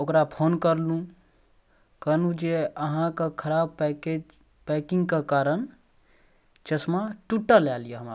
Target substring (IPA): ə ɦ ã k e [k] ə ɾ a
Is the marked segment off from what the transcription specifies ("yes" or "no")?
yes